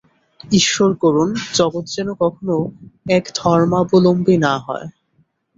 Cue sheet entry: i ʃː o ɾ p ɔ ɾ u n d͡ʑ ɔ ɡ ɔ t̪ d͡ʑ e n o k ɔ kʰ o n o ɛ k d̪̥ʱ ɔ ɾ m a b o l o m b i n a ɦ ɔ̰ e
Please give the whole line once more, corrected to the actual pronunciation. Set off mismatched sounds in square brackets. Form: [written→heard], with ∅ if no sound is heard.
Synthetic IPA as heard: i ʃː o ɾ [p→k] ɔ ɾ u n d͡ʑ ɔ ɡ [ɔ→o] t̪ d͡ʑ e n o k ɔ kʰ o n o ɛ k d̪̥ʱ ɔ ɾ m a b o l o m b i n a ɦ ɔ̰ e